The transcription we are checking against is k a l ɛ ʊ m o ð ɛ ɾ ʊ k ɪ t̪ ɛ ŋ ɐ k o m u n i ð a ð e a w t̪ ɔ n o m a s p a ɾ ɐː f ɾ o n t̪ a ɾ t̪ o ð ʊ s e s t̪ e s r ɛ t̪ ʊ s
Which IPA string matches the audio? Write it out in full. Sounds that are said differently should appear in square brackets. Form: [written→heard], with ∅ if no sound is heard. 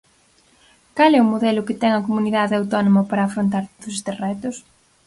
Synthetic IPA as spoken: k a l ɛ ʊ m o ð ɛ [ɾ→l] ʊ k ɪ t̪ ɛ ŋ ɐ k o m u n i ð a ð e a w t̪ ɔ n o m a [s→∅] p a ɾ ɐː f ɾ o n t̪ a ɾ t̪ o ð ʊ s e s t̪ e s r ɛ t̪ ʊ s

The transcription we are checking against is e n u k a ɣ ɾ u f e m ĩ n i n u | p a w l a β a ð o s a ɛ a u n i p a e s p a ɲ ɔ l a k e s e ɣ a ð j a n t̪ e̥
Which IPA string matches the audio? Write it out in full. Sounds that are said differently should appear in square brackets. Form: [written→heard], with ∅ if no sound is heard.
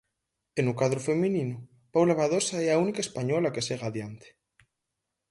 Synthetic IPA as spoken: e n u k a [ɣ→ð] ɾ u f e m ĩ n i n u | p a w l a β a ð o s a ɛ a u n i [p→k] a e s p a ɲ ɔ l a k e s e ɣ a ð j a n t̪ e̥

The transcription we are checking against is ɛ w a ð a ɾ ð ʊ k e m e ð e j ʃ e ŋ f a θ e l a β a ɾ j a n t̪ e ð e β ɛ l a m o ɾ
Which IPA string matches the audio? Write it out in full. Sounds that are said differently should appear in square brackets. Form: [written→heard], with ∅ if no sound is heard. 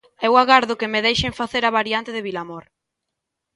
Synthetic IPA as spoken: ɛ w a [ð→ɣ] a ɾ ð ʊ k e m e ð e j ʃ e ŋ f a θ e [l→ɾ] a β a ɾ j a n t̪ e ð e β [ɛ→i] l a m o ɾ

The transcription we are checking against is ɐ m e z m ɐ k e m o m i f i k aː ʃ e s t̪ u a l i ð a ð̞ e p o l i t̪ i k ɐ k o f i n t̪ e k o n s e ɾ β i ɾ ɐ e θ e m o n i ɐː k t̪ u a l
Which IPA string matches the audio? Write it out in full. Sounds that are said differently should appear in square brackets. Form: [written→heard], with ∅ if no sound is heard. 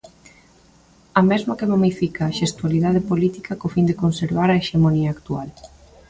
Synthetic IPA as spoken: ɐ m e z m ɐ k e m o m i f i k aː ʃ e s t̪ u a l i ð a ð̞ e p o l i t̪ i k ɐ k o f i n [t̪→d̪] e k o n s e ɾ β [i→a] ɾ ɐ e [θ→ʃ] e m o n i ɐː k t̪ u a l

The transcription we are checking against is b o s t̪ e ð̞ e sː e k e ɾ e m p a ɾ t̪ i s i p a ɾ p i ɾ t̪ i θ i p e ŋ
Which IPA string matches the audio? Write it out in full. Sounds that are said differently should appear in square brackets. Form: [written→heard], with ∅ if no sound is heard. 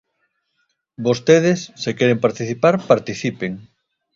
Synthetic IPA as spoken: b o s t̪ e ð̞ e sː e k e ɾ e m p a ɾ t̪ i [s→θ] i p a ɾ p [i→a] ɾ t̪ i θ i p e ŋ

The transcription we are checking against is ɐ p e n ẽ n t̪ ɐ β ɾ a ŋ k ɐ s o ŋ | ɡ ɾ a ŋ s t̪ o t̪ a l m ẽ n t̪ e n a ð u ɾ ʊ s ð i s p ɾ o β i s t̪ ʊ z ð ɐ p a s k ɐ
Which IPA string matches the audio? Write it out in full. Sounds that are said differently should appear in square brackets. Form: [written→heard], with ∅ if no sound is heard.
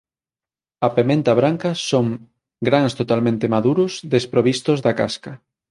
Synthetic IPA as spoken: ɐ p e [n→m] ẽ n t̪ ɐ β ɾ a ŋ k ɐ s o ŋ | ɡ ɾ a ŋ s t̪ o t̪ a l m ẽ n t̪ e [n→m] a ð u ɾ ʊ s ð [i→e] s p ɾ o β i s t̪ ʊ z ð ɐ [p→k] a s k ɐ

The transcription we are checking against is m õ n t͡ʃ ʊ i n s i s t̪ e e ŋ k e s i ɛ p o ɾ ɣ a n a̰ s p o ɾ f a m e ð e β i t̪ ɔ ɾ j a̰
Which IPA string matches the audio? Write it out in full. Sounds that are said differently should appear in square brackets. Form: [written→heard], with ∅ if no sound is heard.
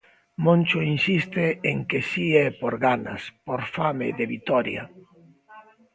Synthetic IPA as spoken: m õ n t͡ʃ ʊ i n s i s t̪ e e ŋ k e s i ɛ p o ɾ ɣ a n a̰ s p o ɾ f a m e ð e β i t̪ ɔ ɾ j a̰

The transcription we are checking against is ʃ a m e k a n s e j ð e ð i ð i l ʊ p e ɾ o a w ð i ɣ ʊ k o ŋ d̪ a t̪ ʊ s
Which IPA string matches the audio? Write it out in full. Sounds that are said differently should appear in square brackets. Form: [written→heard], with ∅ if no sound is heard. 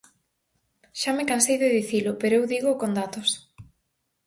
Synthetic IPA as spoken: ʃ a m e k a n s e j ð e ð i [ð→θ] i l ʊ p e ɾ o [a→e] w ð i ɣ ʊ k o [ŋ→n] d̪ a t̪ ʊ s

